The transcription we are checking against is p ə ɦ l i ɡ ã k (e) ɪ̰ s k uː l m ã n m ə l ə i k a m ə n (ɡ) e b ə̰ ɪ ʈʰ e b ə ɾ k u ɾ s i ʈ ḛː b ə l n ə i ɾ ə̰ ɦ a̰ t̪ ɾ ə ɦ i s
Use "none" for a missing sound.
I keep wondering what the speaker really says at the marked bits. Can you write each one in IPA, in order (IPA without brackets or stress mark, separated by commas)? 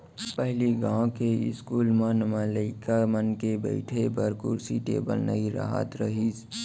e, k